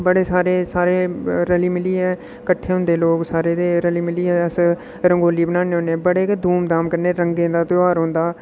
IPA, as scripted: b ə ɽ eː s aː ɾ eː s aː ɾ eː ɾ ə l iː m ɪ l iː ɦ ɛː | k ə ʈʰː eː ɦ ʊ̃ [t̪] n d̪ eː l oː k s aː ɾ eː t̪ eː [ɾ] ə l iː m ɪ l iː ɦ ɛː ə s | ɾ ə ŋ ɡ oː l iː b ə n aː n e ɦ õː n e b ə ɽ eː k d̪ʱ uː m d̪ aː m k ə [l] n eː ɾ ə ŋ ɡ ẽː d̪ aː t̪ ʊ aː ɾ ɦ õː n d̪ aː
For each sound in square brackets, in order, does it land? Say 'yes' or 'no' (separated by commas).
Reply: no, yes, no